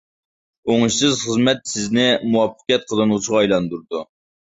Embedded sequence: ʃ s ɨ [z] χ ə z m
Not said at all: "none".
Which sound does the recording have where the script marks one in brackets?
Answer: z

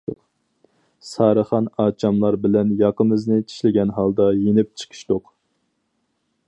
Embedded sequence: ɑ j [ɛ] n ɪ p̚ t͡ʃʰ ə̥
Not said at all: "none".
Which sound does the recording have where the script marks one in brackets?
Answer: e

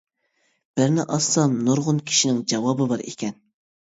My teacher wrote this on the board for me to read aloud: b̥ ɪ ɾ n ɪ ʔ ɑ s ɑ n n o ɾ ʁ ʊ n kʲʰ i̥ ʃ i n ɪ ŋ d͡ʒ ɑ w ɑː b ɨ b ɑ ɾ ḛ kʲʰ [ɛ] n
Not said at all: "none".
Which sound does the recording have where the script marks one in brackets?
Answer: ɛ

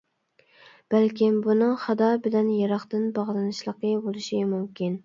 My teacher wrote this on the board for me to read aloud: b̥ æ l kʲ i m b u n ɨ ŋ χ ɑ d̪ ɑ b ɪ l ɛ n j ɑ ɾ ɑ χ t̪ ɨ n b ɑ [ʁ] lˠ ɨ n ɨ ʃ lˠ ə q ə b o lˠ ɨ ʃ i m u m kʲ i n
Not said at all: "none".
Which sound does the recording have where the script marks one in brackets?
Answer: ʁ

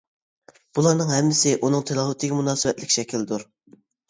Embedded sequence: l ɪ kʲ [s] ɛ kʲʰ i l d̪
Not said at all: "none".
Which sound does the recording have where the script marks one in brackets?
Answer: ʃ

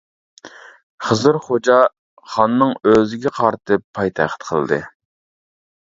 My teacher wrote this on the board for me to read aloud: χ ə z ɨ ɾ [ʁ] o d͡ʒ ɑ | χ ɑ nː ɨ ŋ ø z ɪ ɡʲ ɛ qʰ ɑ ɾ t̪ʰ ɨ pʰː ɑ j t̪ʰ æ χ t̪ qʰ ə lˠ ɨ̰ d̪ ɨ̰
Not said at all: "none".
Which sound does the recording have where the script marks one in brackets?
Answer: χ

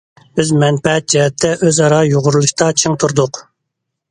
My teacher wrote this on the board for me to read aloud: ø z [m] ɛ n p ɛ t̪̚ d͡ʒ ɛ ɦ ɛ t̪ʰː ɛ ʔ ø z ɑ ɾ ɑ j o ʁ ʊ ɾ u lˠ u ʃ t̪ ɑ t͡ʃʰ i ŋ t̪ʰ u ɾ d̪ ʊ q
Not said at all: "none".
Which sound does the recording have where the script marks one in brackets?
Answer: m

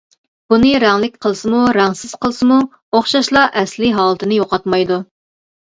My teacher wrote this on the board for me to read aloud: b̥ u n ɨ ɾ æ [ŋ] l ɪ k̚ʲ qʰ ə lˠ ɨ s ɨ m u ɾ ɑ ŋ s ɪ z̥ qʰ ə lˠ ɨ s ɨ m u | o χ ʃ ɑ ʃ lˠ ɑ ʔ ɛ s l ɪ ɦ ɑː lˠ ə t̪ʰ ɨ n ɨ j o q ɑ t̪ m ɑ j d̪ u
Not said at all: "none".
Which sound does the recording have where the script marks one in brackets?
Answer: ŋ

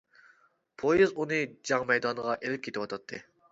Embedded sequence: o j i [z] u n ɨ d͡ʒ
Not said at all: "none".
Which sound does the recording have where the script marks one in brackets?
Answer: z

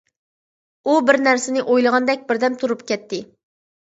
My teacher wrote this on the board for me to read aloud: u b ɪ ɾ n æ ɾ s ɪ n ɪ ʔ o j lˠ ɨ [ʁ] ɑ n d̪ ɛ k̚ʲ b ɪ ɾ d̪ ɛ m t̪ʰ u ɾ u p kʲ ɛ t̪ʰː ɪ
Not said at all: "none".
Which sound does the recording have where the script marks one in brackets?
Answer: ʁ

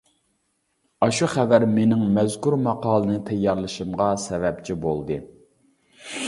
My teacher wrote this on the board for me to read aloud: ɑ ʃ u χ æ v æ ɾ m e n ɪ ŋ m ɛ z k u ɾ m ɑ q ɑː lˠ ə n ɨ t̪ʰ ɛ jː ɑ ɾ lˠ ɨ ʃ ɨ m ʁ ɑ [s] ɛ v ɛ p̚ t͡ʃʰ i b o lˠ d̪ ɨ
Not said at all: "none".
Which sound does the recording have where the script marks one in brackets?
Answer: s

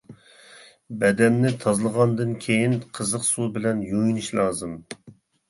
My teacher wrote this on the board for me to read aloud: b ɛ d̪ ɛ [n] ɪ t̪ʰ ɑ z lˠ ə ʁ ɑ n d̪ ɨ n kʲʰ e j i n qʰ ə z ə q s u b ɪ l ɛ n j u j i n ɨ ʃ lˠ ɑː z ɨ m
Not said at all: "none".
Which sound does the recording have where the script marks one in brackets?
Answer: nː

